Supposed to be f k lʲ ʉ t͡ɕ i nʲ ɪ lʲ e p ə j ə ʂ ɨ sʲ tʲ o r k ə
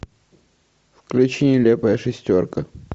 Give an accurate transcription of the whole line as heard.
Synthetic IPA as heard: f k lʲ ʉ t͡ɕ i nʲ ɪ lʲ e p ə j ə ʂ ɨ sʲ tʲ o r k ə